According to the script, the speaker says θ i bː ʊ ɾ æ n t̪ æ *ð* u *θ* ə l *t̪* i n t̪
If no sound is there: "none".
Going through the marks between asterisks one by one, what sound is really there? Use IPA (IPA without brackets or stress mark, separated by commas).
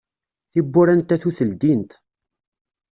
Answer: θ, θ, d̪